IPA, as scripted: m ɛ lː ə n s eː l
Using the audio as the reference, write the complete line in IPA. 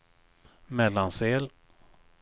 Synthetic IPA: m ɛ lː a n s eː l